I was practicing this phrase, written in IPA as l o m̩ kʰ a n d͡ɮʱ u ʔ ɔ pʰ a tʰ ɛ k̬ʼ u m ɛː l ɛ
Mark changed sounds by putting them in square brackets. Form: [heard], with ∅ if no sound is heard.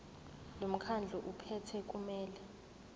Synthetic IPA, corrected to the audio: l o m̩ kʰ a n d͡ɮʱ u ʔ [u] pʰ [ɛ] tʰ ɛ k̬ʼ u m ɛː l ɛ